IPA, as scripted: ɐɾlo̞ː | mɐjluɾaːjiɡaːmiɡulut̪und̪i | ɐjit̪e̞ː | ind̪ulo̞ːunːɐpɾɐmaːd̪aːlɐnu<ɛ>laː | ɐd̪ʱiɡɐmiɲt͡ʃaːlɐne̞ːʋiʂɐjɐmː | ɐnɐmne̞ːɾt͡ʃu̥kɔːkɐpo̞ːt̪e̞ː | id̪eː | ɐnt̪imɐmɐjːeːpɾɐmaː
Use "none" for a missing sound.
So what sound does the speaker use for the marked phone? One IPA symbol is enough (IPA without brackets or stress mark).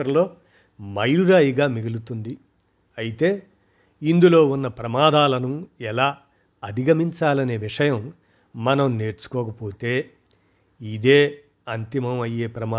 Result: ɛ